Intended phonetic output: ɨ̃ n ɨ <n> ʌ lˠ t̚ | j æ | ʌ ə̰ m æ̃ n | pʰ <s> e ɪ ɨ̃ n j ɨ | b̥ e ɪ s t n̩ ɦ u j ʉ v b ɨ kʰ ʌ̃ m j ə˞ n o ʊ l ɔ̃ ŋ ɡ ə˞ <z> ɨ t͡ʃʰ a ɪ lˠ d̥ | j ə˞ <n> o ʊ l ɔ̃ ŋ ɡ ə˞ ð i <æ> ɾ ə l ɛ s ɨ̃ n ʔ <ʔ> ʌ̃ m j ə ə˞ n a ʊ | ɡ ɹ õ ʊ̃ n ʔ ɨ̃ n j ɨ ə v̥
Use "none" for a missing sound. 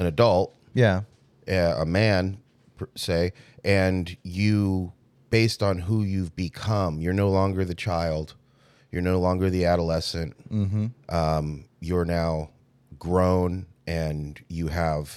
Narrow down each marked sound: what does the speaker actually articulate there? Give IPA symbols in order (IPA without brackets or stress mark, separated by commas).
d, s, ð, n, æ, ʔ